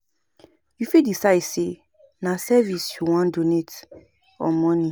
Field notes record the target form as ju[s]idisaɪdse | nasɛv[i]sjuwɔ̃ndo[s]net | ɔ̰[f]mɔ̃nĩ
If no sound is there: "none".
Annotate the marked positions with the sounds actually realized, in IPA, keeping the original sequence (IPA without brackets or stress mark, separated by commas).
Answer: f, i, none, none